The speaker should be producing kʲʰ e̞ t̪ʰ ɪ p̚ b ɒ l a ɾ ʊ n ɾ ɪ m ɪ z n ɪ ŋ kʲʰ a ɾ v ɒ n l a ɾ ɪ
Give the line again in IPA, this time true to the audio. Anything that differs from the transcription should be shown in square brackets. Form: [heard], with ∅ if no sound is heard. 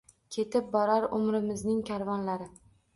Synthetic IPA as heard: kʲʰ e̞ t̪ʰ ɪ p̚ b ɒ [ɾ] a ɾ ʊ [m] ɾ ɪ m ɪ z n ɪ ŋ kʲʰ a ɾ v ɒ n l a ɾ ɪ

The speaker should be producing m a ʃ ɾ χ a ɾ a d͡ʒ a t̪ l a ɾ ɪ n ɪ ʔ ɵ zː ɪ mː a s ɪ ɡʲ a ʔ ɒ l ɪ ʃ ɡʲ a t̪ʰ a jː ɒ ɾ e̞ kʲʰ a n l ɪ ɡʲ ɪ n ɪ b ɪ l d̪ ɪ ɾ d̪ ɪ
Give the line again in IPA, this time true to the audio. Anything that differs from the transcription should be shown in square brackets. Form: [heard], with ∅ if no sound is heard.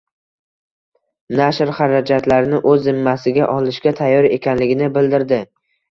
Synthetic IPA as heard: [n] a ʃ ɾ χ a ɾ a d͡ʒ a t̪ l a ɾ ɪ n ɪ ʔ ɵ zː ɪ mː a s ɪ ɡʲ a ʔ ɒ l ɪ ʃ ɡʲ a t̪ʰ a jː ɒ ɾ e̞ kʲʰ a n l ɪ ɡʲ ɪ n ɪ b ɪ l d̪ ɪ ɾ d̪ ɪ

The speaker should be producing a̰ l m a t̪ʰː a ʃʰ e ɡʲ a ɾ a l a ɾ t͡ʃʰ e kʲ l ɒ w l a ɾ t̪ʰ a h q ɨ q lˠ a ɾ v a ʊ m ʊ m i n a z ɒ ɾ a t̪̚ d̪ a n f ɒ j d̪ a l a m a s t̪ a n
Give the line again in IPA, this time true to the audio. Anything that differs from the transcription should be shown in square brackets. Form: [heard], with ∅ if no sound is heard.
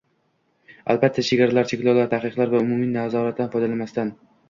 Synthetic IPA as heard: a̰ l [b] a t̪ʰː a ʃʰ e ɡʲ a ɾ a l a ɾ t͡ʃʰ e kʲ l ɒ w l a ɾ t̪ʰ a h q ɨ q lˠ a ɾ v a ʊ m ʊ m i n a z ɒ ɾ a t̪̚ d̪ a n f ɒ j d̪ a l a m a s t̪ a n

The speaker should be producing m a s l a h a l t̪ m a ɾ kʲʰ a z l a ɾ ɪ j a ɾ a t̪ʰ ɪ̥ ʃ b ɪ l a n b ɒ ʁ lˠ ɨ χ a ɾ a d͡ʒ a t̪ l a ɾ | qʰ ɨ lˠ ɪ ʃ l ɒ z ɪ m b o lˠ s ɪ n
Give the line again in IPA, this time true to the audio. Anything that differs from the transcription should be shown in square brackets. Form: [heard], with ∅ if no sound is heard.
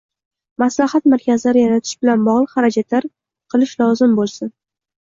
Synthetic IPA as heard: m a s l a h a [∅] t̪ m a ɾ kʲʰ a z l a ɾ ɪ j a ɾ a t̪ʰ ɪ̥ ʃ b ɪ l a n b ɒ ʁ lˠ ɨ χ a ɾ a d͡ʒ a t̪ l a ɾ | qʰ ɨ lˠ ɪ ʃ l ɒ z ɪ m b o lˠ s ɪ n

